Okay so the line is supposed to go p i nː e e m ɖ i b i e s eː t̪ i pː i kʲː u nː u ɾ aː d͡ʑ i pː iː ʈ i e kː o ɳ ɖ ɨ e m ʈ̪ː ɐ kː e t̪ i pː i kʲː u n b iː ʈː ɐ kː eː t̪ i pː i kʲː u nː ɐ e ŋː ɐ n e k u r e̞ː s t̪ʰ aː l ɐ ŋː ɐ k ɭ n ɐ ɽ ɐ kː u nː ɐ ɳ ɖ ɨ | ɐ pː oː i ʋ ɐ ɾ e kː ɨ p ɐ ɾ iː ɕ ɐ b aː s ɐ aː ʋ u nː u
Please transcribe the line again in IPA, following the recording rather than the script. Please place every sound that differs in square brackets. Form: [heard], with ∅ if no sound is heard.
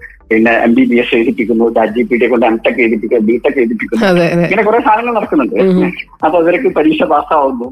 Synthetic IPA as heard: p i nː e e m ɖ i b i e s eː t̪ i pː i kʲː u nː u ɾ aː d͡ʑ i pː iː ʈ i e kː o ɳ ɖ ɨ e m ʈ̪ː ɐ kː e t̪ i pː i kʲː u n b iː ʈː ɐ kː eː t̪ i pː i kʲː u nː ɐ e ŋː ɐ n e k u r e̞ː s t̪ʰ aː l ɐ ŋː ɐ [∅] ɭ n ɐ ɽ ɐ kː u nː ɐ ɳ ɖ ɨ | ɐ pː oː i ʋ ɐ ɾ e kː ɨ p ɐ ɾ iː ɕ ɐ b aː s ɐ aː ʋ u nː u